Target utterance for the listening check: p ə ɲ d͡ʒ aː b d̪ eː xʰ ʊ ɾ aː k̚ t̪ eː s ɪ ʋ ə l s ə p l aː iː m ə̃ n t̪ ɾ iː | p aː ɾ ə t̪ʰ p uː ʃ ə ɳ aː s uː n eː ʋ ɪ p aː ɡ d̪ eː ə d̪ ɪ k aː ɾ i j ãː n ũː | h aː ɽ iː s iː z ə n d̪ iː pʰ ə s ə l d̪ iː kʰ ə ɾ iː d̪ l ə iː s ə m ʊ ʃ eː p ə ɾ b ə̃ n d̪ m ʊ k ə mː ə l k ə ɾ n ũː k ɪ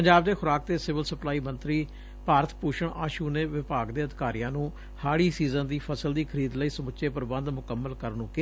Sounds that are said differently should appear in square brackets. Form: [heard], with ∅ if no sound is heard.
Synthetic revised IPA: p ə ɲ d͡ʒ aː b d̪ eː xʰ ʊ ɾ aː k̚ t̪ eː s ɪ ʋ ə l s ə p l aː iː m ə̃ n t̪ ɾ iː | p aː ɾ ə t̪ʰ p uː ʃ ə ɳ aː [ʃ] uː n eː ʋ ɪ p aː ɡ d̪ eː ə d̪ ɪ k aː ɾ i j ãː n ũː | h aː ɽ iː s iː z ə n d̪ iː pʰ ə s ə l d̪ iː kʰ ə ɾ iː d̪ l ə iː s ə m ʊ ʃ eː p ə ɾ b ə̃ n d̪ m ʊ k ə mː ə l k ə ɾ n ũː k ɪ